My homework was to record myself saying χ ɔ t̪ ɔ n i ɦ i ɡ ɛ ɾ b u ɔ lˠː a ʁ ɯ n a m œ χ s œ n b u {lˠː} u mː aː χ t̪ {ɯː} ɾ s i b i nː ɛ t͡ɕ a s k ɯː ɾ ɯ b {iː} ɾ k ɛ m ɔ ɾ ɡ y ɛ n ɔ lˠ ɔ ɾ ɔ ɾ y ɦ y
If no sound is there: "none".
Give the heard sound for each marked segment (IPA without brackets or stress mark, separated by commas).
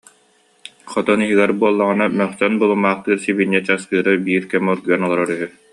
lˠ, ɯː, iː